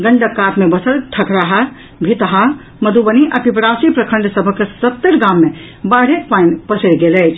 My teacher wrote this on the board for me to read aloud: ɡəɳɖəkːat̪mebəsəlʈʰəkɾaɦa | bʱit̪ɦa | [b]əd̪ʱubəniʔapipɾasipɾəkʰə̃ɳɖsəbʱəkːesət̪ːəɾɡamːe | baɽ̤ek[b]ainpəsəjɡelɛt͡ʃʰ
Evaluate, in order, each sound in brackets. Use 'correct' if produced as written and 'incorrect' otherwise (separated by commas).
incorrect, incorrect